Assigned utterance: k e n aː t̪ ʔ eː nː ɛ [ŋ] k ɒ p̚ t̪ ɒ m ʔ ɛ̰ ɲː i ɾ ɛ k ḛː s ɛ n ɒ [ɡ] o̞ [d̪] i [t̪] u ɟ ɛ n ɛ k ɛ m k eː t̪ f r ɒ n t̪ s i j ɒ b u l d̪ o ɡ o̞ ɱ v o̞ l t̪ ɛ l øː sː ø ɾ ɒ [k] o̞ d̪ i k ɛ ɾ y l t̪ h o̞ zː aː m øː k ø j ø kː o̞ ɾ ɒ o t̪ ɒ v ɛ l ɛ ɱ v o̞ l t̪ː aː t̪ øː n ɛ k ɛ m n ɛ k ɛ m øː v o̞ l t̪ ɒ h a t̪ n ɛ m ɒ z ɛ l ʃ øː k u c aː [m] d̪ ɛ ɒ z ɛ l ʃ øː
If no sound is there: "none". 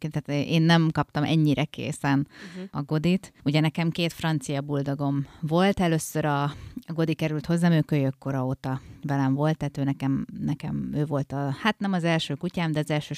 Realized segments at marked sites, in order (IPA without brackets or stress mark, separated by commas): m, ɡ, d̪, t̪, ɡ, m